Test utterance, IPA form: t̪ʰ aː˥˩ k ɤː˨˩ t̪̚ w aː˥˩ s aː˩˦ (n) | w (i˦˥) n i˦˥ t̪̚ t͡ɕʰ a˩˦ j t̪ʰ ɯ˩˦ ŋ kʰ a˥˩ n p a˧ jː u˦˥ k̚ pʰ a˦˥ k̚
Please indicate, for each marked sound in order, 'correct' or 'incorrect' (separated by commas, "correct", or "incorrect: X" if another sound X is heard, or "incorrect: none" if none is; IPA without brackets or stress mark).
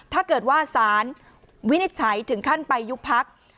correct, correct